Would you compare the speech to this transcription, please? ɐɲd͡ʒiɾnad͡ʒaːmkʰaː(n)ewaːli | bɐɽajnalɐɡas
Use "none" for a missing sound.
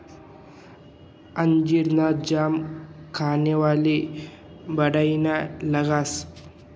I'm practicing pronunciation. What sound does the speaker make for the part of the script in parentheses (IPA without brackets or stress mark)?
n